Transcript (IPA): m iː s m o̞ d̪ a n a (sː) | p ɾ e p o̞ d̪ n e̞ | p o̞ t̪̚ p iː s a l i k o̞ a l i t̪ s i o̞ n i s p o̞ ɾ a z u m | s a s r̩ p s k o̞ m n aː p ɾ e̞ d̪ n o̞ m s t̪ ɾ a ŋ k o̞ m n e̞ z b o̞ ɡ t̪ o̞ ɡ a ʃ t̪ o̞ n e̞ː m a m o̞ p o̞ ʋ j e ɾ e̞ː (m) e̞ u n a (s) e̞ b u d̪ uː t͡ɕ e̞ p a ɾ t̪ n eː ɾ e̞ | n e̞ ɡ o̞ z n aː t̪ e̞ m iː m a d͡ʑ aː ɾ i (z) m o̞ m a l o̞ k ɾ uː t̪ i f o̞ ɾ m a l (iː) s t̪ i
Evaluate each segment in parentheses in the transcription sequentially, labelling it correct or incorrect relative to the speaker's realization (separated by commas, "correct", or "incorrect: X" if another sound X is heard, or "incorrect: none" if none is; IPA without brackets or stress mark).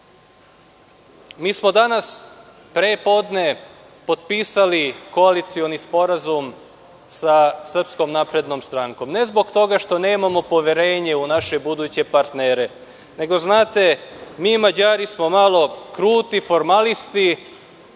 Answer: incorrect: s, incorrect: ɲ, incorrect: ʃ, incorrect: s, incorrect: i